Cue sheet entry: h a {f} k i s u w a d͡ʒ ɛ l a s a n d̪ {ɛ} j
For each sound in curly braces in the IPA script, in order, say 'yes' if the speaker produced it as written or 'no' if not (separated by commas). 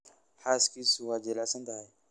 no, no